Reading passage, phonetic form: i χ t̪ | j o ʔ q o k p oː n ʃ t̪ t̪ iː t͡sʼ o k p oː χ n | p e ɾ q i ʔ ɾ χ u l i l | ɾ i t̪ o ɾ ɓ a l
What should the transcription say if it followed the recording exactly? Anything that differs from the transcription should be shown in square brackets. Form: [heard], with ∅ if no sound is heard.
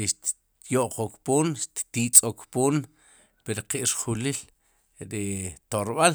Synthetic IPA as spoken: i [ʃ] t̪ | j o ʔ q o k p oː n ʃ t̪ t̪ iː t͡sʼ o k p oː [∅] n | p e ɾ q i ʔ ɾ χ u l i l | ɾ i t̪ o ɾ ɓ a l